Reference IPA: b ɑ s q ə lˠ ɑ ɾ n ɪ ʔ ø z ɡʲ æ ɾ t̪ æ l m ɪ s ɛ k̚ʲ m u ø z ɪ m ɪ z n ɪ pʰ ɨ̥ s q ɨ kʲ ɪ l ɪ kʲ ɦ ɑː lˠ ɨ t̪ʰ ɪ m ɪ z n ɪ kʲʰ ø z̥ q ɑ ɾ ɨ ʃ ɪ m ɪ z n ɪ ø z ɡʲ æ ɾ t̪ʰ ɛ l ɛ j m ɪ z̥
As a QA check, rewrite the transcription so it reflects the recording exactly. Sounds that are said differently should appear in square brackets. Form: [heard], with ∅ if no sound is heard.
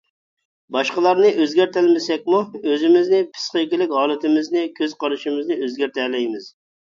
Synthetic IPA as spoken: b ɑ [ʃ] q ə lˠ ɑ ɾ n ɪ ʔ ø z ɡʲ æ ɾ t̪ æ l m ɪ s ɛ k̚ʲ m u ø z ɪ m ɪ z n ɪ pʰ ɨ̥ s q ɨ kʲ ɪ l ɪ kʲ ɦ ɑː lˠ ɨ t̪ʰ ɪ m ɪ z n ɪ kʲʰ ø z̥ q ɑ ɾ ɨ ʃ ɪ m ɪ z n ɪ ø z ɡʲ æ ɾ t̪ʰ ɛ l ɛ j m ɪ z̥